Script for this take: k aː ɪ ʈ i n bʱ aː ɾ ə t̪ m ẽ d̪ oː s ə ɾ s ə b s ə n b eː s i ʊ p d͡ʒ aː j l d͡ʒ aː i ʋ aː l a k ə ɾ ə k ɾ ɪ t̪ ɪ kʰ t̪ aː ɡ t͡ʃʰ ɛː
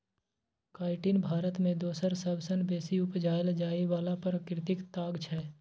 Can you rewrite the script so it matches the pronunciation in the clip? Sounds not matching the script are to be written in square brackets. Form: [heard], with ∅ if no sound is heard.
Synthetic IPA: k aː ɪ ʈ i n bʱ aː ɾ ə t̪ m ẽ d̪ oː s ə ɾ s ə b s ə n b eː s i ʊ p d͡ʒ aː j l d͡ʒ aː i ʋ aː l a [p] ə ɾ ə k ɾ ɪ t̪ ɪ [k] t̪ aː ɡ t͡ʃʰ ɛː